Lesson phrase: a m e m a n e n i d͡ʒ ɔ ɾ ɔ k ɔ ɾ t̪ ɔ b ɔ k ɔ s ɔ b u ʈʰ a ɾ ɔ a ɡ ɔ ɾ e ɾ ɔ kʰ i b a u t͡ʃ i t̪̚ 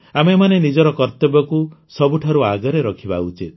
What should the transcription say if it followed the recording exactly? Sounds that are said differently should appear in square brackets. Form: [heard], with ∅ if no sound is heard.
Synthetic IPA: a m e m a n e n i d͡ʒ ɔ ɾ ɔ k ɔ ɾ t̪ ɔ b ɔ k [u] s ɔ b u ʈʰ a ɾ [u] a ɡ ɔ ɾ e ɾ ɔ kʰ i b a u t͡ʃ i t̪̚

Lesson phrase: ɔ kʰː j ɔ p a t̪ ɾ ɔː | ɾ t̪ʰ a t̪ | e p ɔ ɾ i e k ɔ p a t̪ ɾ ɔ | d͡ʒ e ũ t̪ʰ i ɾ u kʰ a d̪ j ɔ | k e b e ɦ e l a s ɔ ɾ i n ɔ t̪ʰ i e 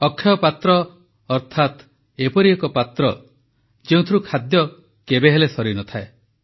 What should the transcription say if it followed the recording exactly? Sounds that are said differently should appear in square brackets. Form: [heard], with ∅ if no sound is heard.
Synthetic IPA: ɔ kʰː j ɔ p a t̪ ɾ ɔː | ɾ t̪ʰ a t̪ | e p ɔ ɾ i e k ɔ p a t̪ ɾ ɔ | d͡ʒ e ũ t̪ʰ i ɾ u kʰ a d̪ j ɔ | k e b e ɦ e l [e] s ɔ ɾ i n ɔ t̪ʰ [a] e

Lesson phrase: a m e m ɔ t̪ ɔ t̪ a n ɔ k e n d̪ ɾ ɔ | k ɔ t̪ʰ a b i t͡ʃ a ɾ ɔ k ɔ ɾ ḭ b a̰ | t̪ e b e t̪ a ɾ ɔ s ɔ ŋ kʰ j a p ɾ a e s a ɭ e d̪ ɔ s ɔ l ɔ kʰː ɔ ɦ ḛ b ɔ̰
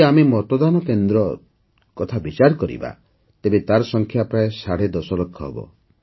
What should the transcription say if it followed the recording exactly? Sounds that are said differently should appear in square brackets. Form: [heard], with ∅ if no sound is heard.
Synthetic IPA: a m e m ɔ t̪ ɔ [d̪] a n ɔ k e n d̪ ɾ ɔ | k ɔ t̪ʰ a b i t͡ʃ a ɾ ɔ k ɔ ɾ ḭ b a̰ | t̪ e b e t̪ a ɾ ɔ s ɔ ŋ kʰ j a p ɾ a e s a [ɽ] e d̪ ɔ s ɔ l ɔ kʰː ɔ ɦ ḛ b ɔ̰

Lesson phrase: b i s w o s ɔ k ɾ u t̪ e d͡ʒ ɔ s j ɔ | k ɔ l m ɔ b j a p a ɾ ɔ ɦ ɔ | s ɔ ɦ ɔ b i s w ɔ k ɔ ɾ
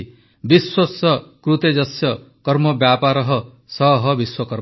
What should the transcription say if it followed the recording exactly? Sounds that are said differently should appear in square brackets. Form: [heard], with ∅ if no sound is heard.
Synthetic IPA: b i s w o s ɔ k ɾ u t̪ e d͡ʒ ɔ s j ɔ | k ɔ [ɾ] m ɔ b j a p a ɾ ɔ ɦ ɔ | s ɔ ɦ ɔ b i s w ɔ k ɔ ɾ

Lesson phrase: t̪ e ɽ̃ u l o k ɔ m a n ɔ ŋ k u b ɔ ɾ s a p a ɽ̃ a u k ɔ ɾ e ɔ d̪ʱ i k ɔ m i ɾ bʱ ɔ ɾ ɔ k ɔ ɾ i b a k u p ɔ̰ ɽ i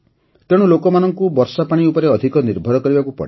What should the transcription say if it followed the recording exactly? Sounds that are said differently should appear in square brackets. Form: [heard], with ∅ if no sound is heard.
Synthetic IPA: t̪ e ɽ̃ u l o k ɔ m a n ɔ ŋ k u b ɔ ɾ s a p a ɽ̃ [i] u [p] ɔ ɾ e ɔ d̪ʱ i k ɔ [n] i ɾ bʱ ɔ ɾ ɔ k ɔ ɾ i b a k u p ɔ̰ ɽ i

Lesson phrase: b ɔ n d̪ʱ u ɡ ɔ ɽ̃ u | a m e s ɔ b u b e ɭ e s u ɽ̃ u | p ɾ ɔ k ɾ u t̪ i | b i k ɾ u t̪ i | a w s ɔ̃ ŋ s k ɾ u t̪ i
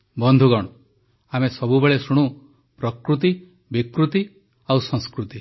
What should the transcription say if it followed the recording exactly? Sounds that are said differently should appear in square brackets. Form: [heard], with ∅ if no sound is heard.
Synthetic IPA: b ɔ n d̪ʱ u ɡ ɔ ɽ̃ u | a m e s ɔ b u b e ɭ e s u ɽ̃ u | p ɾ ɔ k ɾ u t̪ i | b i k ɾ u t̪ i | a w s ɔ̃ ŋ s k ɾ u t̪ i

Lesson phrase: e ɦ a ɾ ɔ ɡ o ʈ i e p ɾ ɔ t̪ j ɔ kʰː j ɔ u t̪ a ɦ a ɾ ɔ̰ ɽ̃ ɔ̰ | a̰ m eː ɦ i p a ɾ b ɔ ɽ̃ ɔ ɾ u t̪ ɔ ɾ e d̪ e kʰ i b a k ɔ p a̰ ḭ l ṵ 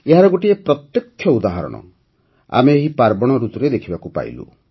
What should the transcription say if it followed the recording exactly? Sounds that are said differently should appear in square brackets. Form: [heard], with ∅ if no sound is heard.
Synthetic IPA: e ɦ a ɾ ɔ ɡ o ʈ i e p ɾ ɔ t̪ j ɔ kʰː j ɔ u [d̪] a ɦ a ɾ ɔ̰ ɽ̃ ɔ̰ | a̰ m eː ɦ i p a ɾ b ɔ ɽ̃ ɔ ɾ u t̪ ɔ ɾ e d̪ e kʰ i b a k [u] p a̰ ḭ l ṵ

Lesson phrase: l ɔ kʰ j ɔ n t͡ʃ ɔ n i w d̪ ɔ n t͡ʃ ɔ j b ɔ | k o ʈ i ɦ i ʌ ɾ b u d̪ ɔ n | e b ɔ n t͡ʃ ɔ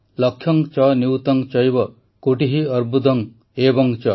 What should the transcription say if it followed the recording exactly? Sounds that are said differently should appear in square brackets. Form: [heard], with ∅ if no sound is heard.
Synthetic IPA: l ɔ kʰ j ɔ [ŋ] t͡ʃ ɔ n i w [t̪] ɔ [ŋ] t͡ʃ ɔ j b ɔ | k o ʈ i ɦ i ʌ ɾ b u d̪ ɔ [ŋ] | e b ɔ [ŋ] t͡ʃ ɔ

